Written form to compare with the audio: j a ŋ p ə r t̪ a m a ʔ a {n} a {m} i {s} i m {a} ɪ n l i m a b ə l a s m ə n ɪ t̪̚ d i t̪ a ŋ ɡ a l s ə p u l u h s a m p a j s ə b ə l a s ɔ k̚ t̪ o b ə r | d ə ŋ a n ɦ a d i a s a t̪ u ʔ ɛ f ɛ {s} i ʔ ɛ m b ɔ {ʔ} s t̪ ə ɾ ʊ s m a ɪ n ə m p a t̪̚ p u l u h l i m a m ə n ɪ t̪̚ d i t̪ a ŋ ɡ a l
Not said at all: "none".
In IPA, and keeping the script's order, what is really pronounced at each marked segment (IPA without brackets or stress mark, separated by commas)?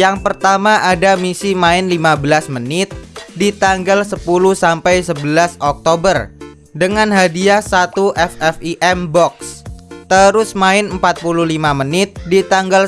d, m, s, a, f, k